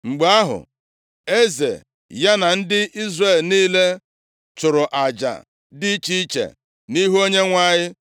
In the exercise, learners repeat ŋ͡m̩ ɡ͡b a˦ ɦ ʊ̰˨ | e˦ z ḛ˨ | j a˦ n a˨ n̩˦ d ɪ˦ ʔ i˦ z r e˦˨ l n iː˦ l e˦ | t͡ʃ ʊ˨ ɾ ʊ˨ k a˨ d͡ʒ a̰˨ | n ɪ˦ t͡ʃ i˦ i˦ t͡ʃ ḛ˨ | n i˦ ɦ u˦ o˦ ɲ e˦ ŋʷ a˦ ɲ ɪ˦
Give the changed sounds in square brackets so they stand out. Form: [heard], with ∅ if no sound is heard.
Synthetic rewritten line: ŋ͡m̩ ɡ͡b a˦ ɦ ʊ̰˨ | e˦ z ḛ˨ | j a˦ n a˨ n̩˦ d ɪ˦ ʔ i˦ z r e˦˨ l n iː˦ l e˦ | t͡ʃ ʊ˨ ɾ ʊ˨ [ʔ] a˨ d͡ʒ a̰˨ | [d] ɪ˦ t͡ʃ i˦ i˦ t͡ʃ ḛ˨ | n i˦ ɦ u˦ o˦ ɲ e˦ ŋʷ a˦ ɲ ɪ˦

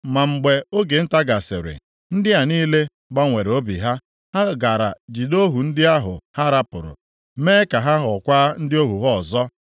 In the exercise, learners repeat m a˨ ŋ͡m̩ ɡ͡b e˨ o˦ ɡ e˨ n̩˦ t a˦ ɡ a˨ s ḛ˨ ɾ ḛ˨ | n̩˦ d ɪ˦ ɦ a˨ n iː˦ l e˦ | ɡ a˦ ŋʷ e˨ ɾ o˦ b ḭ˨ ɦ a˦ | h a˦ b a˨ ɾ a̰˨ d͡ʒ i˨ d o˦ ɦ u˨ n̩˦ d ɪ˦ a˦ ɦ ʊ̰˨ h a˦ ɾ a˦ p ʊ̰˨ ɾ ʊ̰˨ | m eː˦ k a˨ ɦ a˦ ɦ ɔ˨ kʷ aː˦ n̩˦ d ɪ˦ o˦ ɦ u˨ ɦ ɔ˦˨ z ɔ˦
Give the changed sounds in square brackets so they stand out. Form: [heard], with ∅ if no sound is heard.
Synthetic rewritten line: m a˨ ŋ͡m̩ ɡ͡b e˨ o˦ ɡ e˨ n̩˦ t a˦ ɡ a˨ s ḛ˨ ɾ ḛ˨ | n̩˦ d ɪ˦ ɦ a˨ n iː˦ l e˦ | [ɡ͡b] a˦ ŋʷ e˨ ɾ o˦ b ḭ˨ ɦ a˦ | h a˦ [ɡ] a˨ ɾ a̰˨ d͡ʒ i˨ d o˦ ɦ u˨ n̩˦ d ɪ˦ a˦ ɦ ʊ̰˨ h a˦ ɾ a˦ p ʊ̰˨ ɾ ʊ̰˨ | m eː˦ k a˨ ɦ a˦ ɦ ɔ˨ kʷ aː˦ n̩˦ d ɪ˦ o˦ ɦ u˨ ɦ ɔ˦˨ z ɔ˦

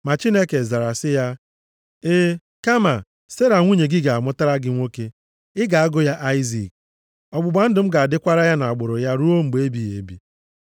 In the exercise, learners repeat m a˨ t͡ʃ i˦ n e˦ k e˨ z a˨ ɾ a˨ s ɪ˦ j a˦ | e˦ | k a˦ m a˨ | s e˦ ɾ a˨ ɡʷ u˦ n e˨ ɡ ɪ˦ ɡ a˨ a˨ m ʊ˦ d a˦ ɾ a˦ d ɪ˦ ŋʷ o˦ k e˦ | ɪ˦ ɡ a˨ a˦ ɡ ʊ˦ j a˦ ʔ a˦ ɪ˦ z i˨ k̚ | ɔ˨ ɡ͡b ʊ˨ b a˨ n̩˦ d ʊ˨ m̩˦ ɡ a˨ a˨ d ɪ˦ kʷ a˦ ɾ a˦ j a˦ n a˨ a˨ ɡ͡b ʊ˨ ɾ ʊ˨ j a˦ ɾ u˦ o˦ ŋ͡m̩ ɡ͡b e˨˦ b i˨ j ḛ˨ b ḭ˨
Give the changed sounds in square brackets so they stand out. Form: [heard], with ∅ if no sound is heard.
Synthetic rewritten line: m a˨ t͡ʃ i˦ n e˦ k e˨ z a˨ ɾ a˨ s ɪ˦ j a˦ | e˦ | k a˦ m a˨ | s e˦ ɾ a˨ [ŋʷ] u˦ [ɲ] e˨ ɡ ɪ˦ ɡ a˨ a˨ m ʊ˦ [t] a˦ ɾ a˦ [ɡ] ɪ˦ ŋʷ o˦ k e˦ | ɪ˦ ɡ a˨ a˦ ɡ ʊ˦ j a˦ ʔ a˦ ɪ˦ z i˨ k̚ | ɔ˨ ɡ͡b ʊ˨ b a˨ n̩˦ d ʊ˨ m̩˦ ɡ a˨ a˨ d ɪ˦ kʷ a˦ ɾ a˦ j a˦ n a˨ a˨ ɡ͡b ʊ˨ ɾ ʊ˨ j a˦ ɾ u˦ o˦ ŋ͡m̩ ɡ͡b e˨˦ b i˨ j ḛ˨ b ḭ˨

